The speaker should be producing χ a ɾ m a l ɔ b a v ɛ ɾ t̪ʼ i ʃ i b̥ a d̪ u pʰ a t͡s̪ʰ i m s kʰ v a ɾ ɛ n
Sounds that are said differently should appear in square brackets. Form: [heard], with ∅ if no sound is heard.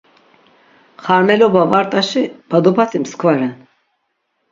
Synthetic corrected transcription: χ a ɾ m [ɛ] l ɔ b a v [a] ɾ t̪ʼ [a] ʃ i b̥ a d̪ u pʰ a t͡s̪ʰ i m s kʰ v a ɾ ɛ n